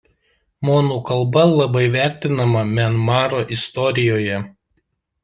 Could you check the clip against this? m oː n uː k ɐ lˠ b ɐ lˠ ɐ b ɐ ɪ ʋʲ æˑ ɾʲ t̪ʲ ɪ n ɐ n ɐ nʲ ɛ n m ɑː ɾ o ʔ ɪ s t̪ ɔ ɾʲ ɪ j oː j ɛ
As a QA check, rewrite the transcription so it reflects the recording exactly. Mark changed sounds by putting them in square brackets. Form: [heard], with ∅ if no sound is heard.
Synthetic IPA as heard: m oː n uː k ɐ lˠ b ɐ lˠ ɐ b ɐ ɪ ʋʲ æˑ ɾʲ t̪ʲ ɪ n ɐ [m] ɐ [mʲ] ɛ n m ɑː ɾ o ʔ ɪ s t̪ ɔ ɾʲ ɪ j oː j ɛ